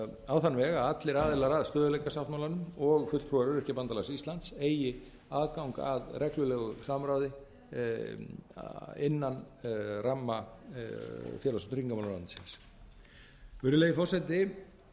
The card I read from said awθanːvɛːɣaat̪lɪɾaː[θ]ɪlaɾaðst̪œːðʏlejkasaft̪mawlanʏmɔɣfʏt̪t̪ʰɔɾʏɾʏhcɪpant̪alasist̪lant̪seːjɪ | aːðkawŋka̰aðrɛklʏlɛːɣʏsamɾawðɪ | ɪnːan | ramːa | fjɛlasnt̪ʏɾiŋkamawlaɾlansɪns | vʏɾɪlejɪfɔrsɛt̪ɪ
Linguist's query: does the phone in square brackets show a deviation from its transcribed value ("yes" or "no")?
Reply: yes